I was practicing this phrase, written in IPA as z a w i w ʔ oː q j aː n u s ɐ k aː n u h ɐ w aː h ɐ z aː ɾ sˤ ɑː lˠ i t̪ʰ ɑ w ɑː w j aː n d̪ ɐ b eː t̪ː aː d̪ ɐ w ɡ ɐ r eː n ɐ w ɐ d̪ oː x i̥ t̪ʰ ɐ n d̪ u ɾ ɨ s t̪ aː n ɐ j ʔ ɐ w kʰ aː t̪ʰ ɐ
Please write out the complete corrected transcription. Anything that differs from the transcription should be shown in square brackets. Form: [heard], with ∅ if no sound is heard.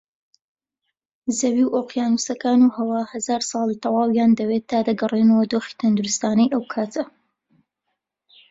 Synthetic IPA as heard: z [ɐ] w i w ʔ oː q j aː n u s ɐ k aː n u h ɐ w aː h ɐ z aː ɾ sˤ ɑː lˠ i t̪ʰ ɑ w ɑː w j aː n d̪ ɐ [w] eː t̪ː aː d̪ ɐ [∅] ɡ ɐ r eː n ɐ w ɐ d̪ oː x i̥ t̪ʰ ɐ n d̪ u ɾ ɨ s t̪ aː n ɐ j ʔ ɐ w kʰ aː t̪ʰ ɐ

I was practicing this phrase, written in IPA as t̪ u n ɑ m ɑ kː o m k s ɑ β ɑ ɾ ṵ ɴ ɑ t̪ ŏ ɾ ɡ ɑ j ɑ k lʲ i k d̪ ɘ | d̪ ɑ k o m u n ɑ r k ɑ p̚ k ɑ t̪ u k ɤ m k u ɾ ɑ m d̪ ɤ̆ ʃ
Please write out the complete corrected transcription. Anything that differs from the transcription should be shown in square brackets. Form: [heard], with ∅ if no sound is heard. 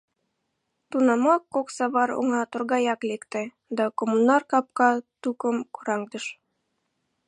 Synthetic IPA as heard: t̪ u n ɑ m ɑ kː o [∅] k s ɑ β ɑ ɾ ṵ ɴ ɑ t̪ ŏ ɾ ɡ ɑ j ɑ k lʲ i k [t̪] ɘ | d̪ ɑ k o m u n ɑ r k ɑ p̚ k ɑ t̪ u k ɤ m k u ɾ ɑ [ŋ] d̪ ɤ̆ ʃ

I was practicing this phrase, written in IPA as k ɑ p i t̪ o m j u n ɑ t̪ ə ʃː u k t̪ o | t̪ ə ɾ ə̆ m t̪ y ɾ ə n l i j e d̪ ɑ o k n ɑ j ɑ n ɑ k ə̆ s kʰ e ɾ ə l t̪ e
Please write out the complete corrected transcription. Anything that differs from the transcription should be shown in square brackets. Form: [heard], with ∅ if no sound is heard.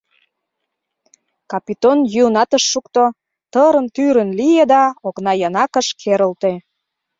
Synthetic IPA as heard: k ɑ p i t̪ o [n] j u n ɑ t̪ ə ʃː u k t̪ o | t̪ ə ɾ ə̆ [n] t̪ y ɾ ə n l i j e d̪ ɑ o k n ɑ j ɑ n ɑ k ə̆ [ʃ] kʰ e ɾ ə l t̪ e

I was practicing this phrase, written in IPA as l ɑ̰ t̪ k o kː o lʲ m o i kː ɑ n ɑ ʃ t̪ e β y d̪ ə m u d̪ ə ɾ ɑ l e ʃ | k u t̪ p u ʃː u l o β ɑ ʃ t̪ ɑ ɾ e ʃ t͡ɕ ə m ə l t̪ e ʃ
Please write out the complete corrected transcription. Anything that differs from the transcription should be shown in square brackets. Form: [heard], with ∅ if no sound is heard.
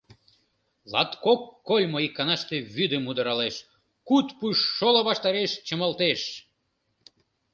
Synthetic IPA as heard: l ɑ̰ t̪ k o kː o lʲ m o i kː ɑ n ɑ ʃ t̪ e β y d̪ ə m u d̪ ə ɾ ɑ l e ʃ | k u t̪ p u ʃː [o] l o β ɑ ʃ t̪ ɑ ɾ e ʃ t͡ɕ ə m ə l t̪ e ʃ

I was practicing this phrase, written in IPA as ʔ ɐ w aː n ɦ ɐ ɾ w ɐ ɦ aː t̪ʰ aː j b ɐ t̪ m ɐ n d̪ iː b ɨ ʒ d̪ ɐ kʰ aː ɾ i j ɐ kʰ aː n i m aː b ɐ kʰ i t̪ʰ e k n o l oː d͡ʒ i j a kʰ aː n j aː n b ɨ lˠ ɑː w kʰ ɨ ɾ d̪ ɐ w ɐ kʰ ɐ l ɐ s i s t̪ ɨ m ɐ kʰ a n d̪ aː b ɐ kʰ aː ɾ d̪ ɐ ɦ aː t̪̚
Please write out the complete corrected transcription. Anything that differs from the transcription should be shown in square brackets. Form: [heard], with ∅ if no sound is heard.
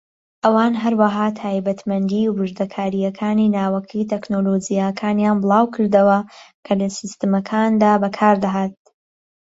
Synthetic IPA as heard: ʔ ɐ w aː n ɦ ɐ ɾ w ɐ ɦ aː t̪ʰ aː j b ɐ t̪ m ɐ n d̪ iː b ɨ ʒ d̪ ɐ kʰ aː ɾ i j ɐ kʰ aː n i [n] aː [w] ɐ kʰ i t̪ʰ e k n o l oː d͡ʒ i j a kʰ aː n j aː n b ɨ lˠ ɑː w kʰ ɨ ɾ d̪ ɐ w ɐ kʰ ɐ l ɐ s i s t̪ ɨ m ɐ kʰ a n d̪ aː b ɐ kʰ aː ɾ d̪ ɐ ɦ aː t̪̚

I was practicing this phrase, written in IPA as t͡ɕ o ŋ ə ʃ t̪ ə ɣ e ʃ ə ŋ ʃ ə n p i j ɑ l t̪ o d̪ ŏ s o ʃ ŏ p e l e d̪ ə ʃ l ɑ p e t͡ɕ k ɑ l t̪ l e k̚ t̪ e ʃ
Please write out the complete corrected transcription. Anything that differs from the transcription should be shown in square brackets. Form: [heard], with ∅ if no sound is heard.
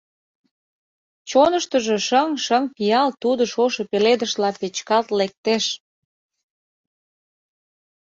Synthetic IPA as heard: t͡ɕ o [n] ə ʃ t̪ ə [ʒ] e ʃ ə ŋ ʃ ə [ŋ] p i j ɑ l t̪ [u] d̪ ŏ [ʃ] o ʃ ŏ p e l e d̪ ə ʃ l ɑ p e t͡ɕ k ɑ l t̪ l e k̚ t̪ e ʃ

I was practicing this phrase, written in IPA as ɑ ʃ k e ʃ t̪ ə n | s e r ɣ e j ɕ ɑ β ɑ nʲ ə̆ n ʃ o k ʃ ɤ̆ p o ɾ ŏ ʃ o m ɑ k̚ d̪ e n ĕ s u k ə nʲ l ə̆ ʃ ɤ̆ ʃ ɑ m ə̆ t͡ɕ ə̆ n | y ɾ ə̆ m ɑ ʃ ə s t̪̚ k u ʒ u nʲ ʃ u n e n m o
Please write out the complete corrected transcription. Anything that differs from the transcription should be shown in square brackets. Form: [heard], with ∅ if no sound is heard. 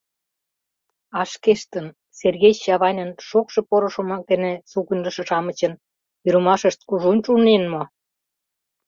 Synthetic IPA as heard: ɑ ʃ k e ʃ t̪ ə n | s e r ɣ e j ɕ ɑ β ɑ nʲ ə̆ n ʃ o k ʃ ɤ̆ p o ɾ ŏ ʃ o m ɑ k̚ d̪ e n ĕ s u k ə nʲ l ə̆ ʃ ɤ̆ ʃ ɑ m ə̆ t͡ɕ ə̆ n | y ɾ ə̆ m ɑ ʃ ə [ʃ] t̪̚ k u ʒ u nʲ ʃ u n e n m o

